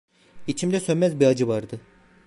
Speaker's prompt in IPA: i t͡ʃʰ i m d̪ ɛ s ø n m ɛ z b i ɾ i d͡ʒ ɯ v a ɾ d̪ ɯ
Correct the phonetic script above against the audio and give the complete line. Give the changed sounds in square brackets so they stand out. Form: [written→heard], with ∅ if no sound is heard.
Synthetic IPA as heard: i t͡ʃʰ i m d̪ ɛ s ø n m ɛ z b i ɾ [i→a] d͡ʒ ɯ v a ɾ d̪ ɯ